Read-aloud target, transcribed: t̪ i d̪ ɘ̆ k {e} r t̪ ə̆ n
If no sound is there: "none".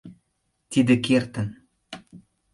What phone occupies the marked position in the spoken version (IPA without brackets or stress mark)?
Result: e